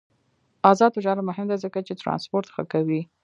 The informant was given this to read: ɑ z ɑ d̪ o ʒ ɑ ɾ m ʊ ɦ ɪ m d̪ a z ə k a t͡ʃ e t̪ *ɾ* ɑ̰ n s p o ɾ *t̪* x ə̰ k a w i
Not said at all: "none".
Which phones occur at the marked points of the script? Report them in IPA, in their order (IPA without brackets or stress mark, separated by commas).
ɾ, t̪